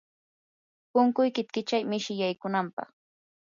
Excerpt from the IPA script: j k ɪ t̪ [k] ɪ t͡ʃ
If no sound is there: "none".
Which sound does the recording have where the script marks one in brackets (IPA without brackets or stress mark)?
k